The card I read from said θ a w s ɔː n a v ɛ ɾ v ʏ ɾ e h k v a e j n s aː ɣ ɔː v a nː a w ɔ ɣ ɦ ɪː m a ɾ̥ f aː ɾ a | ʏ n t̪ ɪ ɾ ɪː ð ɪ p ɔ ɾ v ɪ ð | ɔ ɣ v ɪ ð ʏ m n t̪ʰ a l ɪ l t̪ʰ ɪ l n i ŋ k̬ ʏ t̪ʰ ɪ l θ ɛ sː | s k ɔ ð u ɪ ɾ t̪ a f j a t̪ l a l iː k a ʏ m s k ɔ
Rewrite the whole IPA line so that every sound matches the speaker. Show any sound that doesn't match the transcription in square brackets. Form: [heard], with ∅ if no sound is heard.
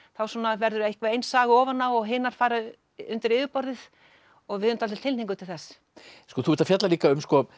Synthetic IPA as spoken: θ a w s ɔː n a v ɛ ɾ [ð] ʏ ɾ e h k v a e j n s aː ɣ ɔː v a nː a w ɔ ɣ ɦ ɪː [n] a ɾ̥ f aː ɾ a | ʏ n t̪ ɪ ɾ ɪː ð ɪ p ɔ ɾ [ð] ɪ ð | ɔ ɣ v ɪ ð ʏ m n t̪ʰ a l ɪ l t̪ʰ ɪ l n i ŋ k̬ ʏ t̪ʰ ɪ l θ ɛ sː | s k ɔ [θ] u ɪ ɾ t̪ a f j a t̪ l a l iː k a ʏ m s k ɔ

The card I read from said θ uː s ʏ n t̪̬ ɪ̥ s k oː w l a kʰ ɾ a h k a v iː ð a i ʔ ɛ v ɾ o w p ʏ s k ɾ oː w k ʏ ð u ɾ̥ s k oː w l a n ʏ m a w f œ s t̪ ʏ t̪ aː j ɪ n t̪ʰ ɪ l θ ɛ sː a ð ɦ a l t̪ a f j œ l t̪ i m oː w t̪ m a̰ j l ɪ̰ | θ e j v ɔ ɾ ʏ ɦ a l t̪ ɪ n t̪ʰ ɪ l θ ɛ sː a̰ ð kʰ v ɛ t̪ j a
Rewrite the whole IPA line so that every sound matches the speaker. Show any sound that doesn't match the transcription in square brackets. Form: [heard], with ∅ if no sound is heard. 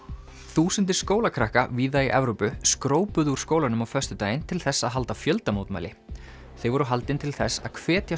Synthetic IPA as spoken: θ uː s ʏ n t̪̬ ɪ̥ s k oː w l a kʰ ɾ a h k a v iː ð a i ʔ ɛ v ɾ o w p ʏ s k ɾ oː w [p] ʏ ð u ɾ̥ s k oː w l a n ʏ m a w f œ s t̪ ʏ t̪ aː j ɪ n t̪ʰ ɪ l θ ɛ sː a ð ɦ a l t̪ a f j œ l t̪ [a] m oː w t̪ m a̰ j l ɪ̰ | θ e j v ɔ ɾ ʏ ɦ a l t̪ ɪ n t̪ʰ ɪ l θ ɛ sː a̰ ð kʰ v [ɛː] t̪ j a

